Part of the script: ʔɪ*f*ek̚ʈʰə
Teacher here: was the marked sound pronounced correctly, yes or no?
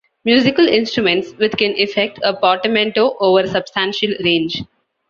yes